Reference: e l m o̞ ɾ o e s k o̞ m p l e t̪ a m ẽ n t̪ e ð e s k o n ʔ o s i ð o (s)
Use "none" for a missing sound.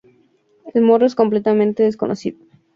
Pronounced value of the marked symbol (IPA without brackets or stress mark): none